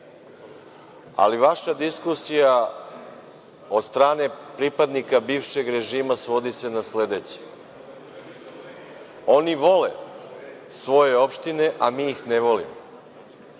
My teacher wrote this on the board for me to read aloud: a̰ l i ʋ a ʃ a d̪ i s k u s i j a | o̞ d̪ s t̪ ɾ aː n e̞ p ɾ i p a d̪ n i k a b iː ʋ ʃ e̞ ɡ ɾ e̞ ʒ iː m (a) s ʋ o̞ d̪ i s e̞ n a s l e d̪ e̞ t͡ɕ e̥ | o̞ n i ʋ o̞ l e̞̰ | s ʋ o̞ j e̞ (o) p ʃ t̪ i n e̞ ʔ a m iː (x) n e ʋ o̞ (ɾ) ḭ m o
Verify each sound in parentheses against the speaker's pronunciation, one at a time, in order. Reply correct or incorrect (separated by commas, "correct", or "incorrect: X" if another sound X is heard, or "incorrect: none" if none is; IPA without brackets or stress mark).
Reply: correct, correct, correct, incorrect: l